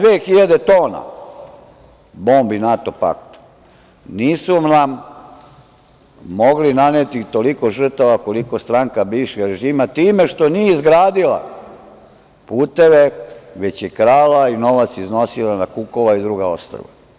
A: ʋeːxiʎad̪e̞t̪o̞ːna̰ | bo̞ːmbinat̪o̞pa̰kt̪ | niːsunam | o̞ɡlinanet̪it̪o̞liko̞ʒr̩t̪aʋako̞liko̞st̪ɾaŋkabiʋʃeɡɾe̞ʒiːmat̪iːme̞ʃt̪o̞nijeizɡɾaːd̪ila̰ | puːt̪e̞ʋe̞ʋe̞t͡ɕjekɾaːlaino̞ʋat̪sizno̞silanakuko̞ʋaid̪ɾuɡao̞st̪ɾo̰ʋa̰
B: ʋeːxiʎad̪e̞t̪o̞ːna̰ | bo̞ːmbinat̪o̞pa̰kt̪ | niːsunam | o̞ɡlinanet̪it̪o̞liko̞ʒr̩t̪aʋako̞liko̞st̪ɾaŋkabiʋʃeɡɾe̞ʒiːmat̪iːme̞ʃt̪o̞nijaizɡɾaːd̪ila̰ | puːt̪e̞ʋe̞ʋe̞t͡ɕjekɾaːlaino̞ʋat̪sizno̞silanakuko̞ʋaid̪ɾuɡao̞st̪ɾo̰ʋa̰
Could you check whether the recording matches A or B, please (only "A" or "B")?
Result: A